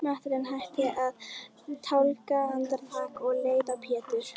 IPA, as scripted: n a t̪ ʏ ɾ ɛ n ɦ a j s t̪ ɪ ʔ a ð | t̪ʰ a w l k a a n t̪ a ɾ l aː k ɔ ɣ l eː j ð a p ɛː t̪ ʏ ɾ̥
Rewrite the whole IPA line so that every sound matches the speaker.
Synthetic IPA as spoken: m a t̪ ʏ ɾ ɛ n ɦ a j h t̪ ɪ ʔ a ð | t̪ʰ a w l k a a n t̪ a ɾ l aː k ɔ ɣ l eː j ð a pʰ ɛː t̪ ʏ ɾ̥